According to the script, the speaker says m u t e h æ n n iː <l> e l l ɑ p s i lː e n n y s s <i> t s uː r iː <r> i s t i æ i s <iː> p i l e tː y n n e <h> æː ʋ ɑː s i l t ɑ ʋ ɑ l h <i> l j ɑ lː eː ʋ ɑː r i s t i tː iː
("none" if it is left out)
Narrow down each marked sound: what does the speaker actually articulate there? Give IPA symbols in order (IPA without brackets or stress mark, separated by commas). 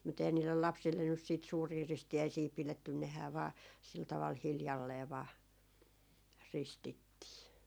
lː, iː, r, iː, h, i